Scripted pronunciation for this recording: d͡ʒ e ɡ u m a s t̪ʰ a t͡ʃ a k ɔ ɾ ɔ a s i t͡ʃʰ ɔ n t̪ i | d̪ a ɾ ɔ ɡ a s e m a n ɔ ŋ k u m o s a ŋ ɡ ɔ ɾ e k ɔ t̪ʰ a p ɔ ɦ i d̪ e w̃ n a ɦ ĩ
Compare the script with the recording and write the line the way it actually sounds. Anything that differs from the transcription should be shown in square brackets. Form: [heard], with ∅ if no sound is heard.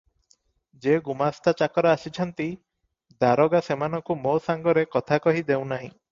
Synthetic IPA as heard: d͡ʒ e ɡ u m a s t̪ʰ a t͡ʃ a k ɔ ɾ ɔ a s i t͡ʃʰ ɔ n t̪ i | d̪ a ɾ ɔ ɡ a s e m a n ɔ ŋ k u m o s a ŋ ɡ ɔ ɾ e k ɔ t̪ʰ a [k] ɔ ɦ i d̪ e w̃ n a ɦ ĩ

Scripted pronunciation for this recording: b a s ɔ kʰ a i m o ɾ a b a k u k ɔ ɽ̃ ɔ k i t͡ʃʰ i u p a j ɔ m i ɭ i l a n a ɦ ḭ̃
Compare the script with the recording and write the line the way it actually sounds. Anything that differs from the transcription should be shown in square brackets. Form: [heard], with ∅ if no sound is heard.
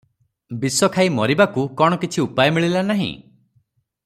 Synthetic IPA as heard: b [i] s ɔ kʰ a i m [ɔ] ɾ [i] b a k u k ɔ ɽ̃ ɔ k i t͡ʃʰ i u p a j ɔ m i ɭ i l a n a ɦ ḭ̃

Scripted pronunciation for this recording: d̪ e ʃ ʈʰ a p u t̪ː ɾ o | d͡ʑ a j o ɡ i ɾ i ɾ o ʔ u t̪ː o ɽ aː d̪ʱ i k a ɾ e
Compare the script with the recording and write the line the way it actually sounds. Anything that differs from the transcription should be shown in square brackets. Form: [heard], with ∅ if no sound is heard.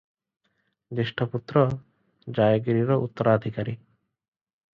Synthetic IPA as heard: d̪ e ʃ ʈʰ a p u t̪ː ɾ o | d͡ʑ a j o ɡ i ɾ i ɾ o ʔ u t̪ː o [ɾ] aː d̪ʱ i k a ɾ [i]

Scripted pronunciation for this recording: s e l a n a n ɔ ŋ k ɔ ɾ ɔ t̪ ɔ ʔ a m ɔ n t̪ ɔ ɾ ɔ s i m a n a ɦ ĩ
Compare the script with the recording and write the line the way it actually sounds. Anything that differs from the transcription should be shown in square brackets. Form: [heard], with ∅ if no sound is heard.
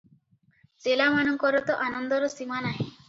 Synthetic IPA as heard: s e l a [m] a n ɔ ŋ k ɔ ɾ ɔ t̪ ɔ ʔ a [n] ɔ n [d̪] ɔ ɾ ɔ s i m a n a ɦ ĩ

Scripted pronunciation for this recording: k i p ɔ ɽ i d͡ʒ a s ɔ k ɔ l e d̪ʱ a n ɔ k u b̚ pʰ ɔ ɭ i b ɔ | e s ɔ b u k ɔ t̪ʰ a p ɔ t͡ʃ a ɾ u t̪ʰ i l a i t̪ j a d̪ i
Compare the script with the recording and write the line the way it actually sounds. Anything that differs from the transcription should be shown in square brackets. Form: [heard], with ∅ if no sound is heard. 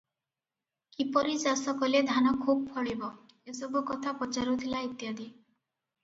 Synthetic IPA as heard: k i p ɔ [ɾ] i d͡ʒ a s ɔ k ɔ l e d̪ʱ a n ɔ [kʰ] u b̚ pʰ ɔ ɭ i b ɔ | e s ɔ b u k ɔ t̪ʰ a p ɔ t͡ʃ a ɾ u t̪ʰ i l a i t̪ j a d̪ i

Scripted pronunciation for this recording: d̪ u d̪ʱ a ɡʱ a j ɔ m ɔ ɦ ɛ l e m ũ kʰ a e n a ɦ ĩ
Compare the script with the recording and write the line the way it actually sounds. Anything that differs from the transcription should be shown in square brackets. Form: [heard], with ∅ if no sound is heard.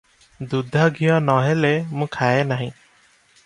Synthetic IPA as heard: d̪ u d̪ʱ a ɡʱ [i] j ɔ [n] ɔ ɦ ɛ l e m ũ kʰ a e n a ɦ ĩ

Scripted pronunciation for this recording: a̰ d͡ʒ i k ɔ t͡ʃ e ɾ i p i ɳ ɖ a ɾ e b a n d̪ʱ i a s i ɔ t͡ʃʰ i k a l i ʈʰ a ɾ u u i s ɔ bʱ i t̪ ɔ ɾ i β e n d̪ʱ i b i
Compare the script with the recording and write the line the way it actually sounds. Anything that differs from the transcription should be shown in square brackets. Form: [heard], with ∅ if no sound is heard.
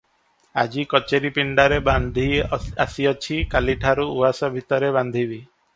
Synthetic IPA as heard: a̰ d͡ʒ i k ɔ t͡ʃ e ɾ i p i ɳ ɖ a ɾ e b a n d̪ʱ i a s i ɔ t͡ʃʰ i k a l i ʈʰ a ɾ u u [a] s ɔ bʱ i t̪ ɔ ɾ [e] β [a] n d̪ʱ i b i

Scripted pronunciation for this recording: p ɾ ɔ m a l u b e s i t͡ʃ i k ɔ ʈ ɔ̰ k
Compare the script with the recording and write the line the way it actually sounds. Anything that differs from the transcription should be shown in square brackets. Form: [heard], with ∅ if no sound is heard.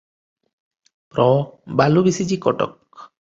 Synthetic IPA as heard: p ɾ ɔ [b] a l u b [i] s i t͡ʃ i k ɔ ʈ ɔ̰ k

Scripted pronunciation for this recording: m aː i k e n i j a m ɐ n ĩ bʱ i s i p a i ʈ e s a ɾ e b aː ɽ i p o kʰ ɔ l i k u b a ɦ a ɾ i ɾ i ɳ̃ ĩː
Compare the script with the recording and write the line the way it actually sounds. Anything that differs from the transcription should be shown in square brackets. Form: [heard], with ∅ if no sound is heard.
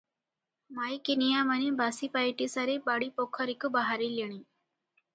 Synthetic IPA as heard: m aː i k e n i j a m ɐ n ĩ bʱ [a] s i p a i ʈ [i] s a ɾ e b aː ɽ i p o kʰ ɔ [ɾ] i k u b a ɦ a ɾ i [l] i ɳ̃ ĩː

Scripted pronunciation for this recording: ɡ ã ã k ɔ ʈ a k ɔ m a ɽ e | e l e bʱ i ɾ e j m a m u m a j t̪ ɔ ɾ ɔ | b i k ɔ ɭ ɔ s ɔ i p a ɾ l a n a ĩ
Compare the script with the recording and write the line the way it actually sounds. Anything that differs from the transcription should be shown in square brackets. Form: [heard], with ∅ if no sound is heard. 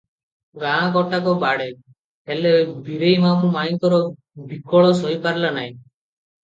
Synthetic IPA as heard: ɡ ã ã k ɔ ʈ a k ɔ [b] a ɽ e | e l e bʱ i ɾ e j m a m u m a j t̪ ɔ ɾ ɔ | b i k ɔ ɭ ɔ s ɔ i p a ɾ l a n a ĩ

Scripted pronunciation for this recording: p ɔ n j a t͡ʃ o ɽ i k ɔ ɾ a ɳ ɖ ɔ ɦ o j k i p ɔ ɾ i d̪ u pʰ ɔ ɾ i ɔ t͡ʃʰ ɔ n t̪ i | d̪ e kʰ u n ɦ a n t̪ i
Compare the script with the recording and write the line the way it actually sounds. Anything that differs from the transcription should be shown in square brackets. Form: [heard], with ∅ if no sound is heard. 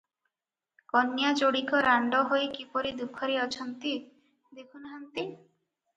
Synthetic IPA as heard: [k] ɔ n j a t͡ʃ o ɽ i k ɔ ɾ a ɳ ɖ ɔ ɦ o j k i p ɔ ɾ i d̪ u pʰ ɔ ɾ i ɔ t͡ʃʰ ɔ n t̪ i | d̪ e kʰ u n ɦ a n t̪ i

